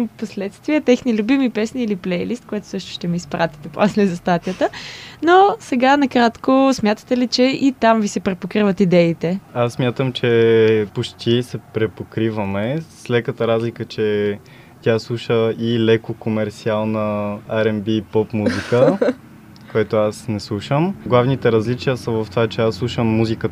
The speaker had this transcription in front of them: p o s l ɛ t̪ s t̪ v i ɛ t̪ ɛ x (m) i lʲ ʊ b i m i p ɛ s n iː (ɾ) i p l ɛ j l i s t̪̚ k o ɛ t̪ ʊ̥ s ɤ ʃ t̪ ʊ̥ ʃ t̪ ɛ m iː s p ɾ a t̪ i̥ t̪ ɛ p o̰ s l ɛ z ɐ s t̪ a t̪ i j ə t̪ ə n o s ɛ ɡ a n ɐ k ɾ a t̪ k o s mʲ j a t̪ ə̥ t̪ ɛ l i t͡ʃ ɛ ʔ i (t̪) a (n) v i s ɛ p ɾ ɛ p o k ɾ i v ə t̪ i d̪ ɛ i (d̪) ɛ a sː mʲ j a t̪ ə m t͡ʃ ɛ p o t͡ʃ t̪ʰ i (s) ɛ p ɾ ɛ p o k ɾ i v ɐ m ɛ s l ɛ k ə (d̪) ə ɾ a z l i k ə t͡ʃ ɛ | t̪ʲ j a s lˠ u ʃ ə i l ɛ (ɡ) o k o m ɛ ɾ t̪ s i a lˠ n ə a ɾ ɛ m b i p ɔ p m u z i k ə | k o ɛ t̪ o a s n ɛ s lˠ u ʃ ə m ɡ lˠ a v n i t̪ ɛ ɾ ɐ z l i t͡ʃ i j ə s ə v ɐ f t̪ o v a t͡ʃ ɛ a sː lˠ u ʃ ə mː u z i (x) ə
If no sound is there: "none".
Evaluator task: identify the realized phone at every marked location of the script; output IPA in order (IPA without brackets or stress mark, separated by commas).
n, l, t̪, m, t̪, s, t̪, k, k